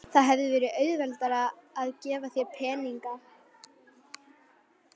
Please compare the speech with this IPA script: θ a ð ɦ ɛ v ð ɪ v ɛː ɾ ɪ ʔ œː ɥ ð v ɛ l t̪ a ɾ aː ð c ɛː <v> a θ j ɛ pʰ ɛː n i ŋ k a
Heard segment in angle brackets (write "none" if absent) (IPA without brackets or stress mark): v